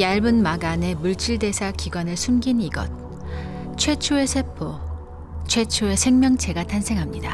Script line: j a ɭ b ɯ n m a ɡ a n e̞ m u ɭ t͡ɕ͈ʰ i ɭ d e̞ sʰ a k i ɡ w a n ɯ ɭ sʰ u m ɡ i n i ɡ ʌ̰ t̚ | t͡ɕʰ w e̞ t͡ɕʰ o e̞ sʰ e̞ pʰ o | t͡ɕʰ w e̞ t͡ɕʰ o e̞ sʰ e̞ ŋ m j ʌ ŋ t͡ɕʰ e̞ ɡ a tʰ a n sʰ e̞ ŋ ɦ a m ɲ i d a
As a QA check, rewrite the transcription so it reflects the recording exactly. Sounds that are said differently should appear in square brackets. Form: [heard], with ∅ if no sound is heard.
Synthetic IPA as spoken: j a ɭ b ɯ n m a ɡ a n e̞ m u ɭ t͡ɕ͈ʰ i ɭ d e̞ sʰ a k i ɡ w a n ɯ ɭ sʰ u m ɡ i n i ɡ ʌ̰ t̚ | t͡ɕʰ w e̞ t͡ɕʰ o e̞ sʰ e̞ pʰ o | t͡ɕʰ w e̞ t͡ɕʰ o e̞ sʰ e̞ ŋ m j ʌ ŋ t͡ɕʰ e̞ ɡ a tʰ a n sʰ e̞ ŋ ɦ a m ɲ i d a